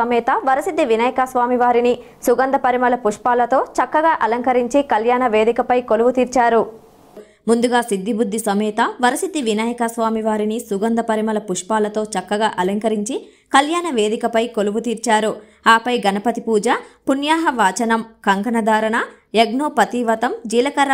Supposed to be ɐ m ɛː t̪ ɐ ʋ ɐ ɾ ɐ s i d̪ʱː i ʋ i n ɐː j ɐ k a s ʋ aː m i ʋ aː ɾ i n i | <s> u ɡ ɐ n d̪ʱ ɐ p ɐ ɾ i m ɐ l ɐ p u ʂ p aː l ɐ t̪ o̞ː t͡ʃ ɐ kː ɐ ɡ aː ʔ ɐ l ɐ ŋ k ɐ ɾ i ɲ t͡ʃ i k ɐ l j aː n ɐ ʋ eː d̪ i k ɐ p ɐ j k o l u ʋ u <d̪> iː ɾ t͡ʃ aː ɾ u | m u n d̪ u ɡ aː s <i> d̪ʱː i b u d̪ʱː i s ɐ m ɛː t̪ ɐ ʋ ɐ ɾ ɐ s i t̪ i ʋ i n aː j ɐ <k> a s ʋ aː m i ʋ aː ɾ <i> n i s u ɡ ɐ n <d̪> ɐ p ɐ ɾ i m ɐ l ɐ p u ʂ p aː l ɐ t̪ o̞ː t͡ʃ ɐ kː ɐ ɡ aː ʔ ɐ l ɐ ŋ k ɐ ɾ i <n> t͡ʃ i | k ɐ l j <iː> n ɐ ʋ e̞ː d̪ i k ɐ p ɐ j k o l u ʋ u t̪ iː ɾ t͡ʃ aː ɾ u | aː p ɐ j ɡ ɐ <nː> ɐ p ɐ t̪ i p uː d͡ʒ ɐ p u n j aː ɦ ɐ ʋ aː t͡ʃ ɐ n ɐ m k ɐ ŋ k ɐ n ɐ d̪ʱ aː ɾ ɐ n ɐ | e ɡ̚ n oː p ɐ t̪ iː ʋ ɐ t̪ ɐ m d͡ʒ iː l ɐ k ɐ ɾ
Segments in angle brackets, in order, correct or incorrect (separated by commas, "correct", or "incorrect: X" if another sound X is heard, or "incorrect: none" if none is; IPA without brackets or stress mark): correct, incorrect: t̪, correct, correct, correct, correct, incorrect: ɲ, incorrect: aː, incorrect: n